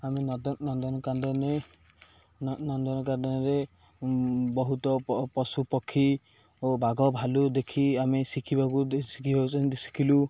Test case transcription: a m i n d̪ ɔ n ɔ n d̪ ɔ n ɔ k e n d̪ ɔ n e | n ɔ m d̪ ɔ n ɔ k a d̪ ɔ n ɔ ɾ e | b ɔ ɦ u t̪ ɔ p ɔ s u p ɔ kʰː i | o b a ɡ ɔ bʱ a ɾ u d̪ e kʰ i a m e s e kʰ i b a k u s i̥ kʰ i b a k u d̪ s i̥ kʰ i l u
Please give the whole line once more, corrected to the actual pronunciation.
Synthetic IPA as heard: a m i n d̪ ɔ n ɔ n d̪ ɔ n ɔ k a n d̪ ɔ n e | n ɔ n d̪ ɔ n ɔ k a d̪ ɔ n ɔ ɾ e | b ɔ ɦ u t̪ ɔ p ɔ s u p ɔ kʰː i | o b a ɡ ɔ bʱ a l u d̪ e kʰ i a m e s i kʰ i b a k u s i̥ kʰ i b a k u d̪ s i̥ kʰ i l u